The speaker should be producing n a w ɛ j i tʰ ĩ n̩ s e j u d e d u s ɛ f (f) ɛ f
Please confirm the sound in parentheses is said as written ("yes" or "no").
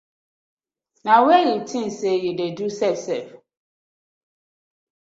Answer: no